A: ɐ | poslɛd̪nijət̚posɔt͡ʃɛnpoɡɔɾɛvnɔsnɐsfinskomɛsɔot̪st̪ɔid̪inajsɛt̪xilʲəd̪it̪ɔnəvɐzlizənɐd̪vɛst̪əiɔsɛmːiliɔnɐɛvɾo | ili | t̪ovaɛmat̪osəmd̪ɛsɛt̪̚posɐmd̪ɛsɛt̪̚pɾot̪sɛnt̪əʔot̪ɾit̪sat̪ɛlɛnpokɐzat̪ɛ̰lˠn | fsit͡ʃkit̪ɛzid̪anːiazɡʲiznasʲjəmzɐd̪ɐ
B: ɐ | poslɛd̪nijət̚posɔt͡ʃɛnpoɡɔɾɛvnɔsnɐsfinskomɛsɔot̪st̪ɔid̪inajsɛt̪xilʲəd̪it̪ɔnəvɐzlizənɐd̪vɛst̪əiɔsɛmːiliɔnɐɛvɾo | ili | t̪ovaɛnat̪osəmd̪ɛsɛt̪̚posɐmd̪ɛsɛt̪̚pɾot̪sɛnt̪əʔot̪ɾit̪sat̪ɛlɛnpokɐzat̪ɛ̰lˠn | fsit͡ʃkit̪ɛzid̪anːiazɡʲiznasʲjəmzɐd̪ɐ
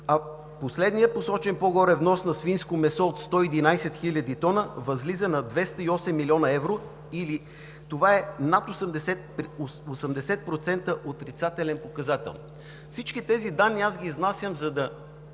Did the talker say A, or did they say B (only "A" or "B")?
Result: B